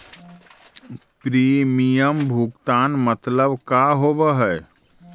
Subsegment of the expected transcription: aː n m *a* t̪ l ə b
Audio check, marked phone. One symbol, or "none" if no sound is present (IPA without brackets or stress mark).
ə